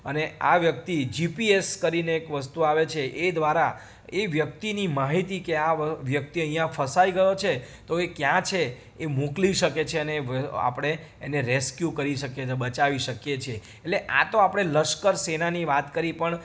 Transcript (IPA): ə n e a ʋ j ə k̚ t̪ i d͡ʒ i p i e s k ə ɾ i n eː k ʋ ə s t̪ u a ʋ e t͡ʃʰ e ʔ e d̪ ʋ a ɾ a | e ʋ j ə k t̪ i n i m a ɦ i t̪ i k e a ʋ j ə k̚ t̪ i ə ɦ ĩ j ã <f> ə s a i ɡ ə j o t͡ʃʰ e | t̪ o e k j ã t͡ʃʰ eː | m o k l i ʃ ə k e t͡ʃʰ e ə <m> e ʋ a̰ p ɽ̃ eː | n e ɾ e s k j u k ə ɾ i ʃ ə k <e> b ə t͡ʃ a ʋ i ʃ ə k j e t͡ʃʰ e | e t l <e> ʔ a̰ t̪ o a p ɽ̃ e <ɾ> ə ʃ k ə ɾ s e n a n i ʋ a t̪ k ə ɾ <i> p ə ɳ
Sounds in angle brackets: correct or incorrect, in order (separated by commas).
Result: correct, incorrect, correct, correct, incorrect, correct